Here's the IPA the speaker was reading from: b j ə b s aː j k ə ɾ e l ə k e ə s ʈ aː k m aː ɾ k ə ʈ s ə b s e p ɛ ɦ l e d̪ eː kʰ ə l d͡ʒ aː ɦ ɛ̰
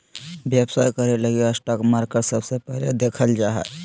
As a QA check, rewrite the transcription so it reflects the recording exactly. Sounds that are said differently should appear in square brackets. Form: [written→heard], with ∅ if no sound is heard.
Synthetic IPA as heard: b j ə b s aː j k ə ɾ e l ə [k→ɡ] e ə s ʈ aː k m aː ɾ k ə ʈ s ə b s e p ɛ ɦ l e d̪ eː kʰ ə l d͡ʒ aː ɦ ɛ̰